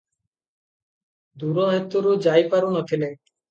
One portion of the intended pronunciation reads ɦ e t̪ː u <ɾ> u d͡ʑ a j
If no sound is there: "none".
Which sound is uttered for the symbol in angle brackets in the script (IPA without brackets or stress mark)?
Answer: ɾ